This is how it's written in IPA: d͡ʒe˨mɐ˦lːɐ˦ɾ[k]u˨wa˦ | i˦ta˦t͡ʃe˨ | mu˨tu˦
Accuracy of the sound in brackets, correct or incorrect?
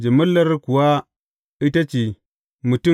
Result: correct